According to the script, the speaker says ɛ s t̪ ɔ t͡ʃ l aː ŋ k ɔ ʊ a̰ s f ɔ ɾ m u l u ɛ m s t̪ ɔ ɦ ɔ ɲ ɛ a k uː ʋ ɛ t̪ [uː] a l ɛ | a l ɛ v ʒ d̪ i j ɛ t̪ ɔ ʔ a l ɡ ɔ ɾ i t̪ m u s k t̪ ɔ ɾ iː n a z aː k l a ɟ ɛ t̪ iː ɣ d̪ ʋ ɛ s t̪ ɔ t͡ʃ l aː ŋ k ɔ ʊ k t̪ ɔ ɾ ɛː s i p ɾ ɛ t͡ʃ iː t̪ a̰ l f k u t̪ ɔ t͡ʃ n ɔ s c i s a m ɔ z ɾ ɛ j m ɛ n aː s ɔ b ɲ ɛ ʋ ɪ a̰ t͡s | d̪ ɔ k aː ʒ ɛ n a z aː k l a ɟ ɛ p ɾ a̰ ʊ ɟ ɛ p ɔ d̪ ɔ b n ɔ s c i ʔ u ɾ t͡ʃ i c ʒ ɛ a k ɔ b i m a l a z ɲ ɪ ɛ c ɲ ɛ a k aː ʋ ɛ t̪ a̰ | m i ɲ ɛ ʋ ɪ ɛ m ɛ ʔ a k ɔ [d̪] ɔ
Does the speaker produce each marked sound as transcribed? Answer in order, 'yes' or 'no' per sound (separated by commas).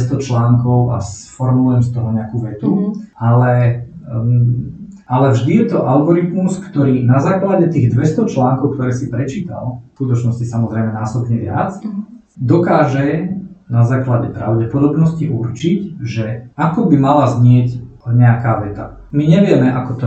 no, no